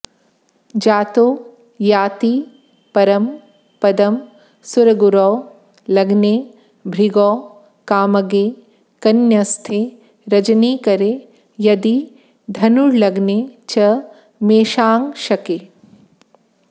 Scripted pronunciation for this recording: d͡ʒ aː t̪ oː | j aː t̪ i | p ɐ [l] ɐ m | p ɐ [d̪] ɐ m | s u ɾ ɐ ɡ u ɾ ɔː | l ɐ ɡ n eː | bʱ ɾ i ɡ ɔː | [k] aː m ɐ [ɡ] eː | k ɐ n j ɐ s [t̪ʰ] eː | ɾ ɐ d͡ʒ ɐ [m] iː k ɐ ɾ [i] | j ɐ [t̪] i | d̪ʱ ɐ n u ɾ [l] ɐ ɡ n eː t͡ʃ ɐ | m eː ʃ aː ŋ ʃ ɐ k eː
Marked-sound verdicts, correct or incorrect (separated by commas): incorrect, correct, correct, correct, correct, incorrect, incorrect, incorrect, correct